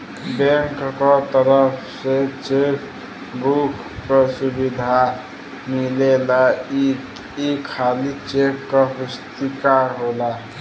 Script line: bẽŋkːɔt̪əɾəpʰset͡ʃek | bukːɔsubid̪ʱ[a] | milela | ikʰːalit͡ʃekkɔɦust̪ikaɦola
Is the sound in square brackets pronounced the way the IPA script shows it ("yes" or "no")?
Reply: yes